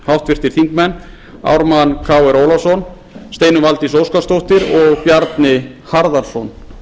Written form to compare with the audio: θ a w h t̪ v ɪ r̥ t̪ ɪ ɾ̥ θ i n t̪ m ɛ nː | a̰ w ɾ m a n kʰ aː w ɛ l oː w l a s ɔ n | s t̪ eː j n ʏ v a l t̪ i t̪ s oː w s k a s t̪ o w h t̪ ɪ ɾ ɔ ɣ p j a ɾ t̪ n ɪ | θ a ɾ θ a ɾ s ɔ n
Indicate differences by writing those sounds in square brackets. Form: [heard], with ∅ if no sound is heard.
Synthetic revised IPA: [h] a w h t̪ v ɪ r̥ t̪ ɪ ɾ̥ θ i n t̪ m ɛ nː | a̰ w ɾ m a n kʰ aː w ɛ [ɾ] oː w l a s ɔ n | s t̪ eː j n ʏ v a l t̪ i [∅] s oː w s k a s t̪ o w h t̪ ɪ ɾ ɔ ɣ p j a ɾ t̪ n ɪ | [h] a ɾ [ð] a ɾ s ɔ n